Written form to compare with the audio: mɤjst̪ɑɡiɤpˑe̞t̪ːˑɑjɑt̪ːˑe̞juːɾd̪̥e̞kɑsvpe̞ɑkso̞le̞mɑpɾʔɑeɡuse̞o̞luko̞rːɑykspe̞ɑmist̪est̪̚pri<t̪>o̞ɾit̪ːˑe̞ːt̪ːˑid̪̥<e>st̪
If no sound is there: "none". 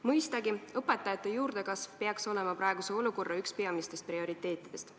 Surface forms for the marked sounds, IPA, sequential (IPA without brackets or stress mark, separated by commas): none, e